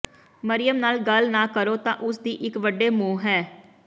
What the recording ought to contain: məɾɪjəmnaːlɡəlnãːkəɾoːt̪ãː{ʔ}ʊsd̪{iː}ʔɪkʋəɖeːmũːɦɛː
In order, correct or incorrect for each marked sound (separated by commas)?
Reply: correct, correct